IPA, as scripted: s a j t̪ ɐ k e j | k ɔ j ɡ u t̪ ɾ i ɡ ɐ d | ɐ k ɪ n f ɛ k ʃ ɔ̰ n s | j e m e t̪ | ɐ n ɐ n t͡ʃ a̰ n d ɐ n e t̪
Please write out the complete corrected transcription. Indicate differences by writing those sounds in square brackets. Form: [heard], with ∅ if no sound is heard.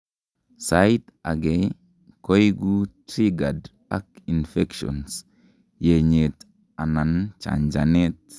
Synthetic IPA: s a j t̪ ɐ [ɡ] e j | k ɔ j ɡ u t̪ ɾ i ɡ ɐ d | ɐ k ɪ n f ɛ k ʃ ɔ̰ n s | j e [ɲ] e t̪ | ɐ n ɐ n t͡ʃ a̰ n [d͡ʒ] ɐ n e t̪